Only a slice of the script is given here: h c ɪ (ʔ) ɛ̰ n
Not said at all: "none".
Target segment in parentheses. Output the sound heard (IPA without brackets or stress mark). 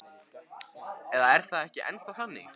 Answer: ʔ